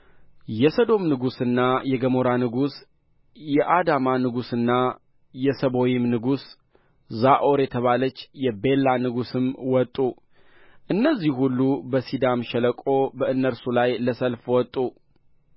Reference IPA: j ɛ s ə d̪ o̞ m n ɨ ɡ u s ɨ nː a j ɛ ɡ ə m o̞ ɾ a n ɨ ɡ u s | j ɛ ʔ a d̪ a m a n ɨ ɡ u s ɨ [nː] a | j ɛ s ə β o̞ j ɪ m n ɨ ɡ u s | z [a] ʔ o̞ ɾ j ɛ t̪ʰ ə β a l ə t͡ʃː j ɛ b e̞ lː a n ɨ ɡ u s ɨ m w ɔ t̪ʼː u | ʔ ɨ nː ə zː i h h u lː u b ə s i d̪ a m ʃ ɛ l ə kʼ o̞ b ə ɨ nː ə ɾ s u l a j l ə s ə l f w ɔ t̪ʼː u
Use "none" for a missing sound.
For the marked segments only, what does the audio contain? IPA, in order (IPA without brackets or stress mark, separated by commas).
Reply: nː, a